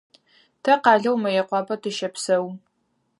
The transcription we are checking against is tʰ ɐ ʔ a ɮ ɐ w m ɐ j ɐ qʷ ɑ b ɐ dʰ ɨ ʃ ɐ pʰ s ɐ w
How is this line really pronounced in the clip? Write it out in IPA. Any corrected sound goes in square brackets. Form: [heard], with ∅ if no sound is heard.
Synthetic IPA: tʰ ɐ [q] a ɮ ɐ w m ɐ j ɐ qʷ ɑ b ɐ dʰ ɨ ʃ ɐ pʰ s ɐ w